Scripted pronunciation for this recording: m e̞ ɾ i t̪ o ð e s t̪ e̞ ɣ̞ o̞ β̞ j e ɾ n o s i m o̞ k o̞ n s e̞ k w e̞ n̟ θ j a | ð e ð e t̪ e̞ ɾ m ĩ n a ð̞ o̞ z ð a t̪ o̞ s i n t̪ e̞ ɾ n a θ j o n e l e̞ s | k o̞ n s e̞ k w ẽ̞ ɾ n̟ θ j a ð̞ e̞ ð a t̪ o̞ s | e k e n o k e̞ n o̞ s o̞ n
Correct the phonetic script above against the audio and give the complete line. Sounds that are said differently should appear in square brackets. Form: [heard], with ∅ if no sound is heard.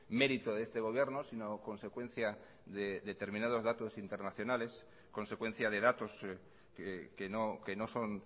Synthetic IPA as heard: m e̞ ɾ i t̪ o ð e s t̪ e̞ ɣ̞ o̞ β̞ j e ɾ n o s i [n] o̞ k o̞ n s e̞ k w e̞ n̟ θ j a | ð e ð e t̪ e̞ ɾ m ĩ n a ð̞ o̞ z ð a t̪ o̞ s i n t̪ e̞ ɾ n a θ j o n [a] l e̞ s | k o̞ n s e̞ k w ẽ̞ [∅] n̟ θ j a ð̞ e̞ ð a t̪ o̞ s | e k e n o k e̞ n o̞ s o̞ n